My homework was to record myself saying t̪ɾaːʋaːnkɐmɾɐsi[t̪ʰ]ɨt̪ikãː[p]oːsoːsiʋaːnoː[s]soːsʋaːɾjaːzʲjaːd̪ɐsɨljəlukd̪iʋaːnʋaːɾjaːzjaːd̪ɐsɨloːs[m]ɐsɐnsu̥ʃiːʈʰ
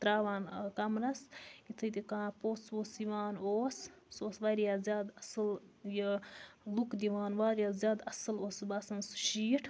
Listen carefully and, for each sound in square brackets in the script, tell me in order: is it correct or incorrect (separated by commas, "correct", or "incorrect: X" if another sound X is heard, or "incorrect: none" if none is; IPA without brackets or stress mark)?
correct, correct, correct, incorrect: b